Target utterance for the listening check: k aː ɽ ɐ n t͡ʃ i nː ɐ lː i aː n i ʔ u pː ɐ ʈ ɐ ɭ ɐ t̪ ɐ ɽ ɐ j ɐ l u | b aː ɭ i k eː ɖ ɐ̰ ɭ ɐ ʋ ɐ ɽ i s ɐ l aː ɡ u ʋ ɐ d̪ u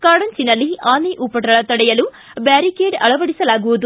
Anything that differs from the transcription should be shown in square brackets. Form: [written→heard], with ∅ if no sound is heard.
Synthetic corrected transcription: k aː ɽ ɐ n t͡ʃ i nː ɐ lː i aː n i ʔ u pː ɐ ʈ ɐ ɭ ɐ t̪ ɐ ɽ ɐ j ɐ l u | b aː [ɭ→ɾ] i k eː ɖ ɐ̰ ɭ ɐ ʋ ɐ ɽ i s ɐ l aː ɡ u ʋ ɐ d̪ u